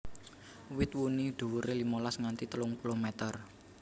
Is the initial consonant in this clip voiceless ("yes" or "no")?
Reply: no